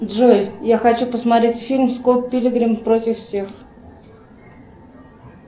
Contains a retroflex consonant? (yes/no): yes